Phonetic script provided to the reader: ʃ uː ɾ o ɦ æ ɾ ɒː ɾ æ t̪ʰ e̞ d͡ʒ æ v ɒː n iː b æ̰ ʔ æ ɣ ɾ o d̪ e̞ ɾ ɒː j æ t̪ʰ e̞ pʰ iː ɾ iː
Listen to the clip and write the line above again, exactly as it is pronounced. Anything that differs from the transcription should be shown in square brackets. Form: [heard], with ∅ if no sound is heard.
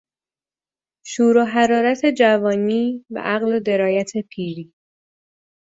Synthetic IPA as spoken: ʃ uː ɾ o ɦ æ ɾ ɒː ɾ æ t̪ʰ e̞ d͡ʒ æ v ɒː n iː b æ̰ ʔ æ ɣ [l] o d̪ e̞ ɾ ɒː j æ t̪ʰ e̞ pʰ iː ɾ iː